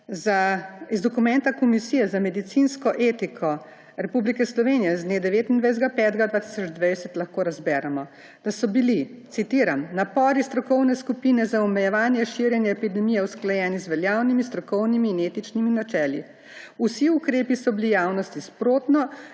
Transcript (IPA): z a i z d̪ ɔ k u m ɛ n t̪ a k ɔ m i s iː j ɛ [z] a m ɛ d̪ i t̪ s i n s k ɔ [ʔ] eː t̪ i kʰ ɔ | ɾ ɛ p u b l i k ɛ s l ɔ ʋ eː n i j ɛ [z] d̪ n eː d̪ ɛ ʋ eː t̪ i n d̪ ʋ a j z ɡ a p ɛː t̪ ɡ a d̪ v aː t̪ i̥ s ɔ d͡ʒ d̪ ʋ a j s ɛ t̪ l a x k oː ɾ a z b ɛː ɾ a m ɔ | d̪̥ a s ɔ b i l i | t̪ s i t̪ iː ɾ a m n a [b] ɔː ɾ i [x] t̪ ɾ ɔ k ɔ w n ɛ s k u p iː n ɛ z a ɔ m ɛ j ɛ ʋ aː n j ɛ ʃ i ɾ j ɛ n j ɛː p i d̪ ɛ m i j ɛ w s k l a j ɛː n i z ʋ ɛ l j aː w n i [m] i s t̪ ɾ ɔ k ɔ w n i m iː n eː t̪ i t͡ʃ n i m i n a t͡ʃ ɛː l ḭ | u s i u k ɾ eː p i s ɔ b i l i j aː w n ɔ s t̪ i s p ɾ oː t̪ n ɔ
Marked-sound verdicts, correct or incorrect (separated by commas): correct, correct, correct, incorrect, incorrect, correct